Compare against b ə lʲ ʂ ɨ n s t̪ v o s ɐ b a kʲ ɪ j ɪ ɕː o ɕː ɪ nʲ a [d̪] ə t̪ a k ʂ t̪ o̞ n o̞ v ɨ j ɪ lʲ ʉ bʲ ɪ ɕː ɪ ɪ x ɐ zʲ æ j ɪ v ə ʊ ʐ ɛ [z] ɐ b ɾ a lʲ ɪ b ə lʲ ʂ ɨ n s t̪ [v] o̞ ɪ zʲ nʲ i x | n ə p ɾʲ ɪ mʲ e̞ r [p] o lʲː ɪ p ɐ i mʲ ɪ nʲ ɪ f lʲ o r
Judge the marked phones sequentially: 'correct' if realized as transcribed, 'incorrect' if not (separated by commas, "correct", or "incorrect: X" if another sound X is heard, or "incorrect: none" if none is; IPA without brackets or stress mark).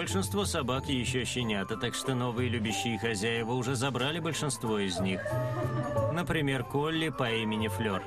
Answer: incorrect: t̪, correct, correct, incorrect: k